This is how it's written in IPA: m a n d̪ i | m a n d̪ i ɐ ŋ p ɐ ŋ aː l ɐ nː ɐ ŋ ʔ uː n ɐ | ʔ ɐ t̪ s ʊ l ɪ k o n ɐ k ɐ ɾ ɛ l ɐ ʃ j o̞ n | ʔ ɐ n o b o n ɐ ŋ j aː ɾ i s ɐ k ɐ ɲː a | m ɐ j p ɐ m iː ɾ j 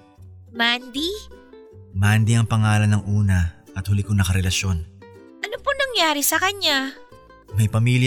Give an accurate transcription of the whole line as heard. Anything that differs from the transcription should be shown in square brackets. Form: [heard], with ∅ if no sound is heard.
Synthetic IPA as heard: m a n d̪ i | m a n d̪ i ɐ ŋ p ɐ ŋ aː l ɐ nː ɐ ŋ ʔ uː n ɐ | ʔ ɐ t̪ [h] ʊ l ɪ k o n ɐ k ɐ ɾ ɛ l ɐ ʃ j o̞ n | ʔ ɐ n o [p] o n ɐ ŋ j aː ɾ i s ɐ k ɐ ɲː a | m ɐ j p ɐ m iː [l] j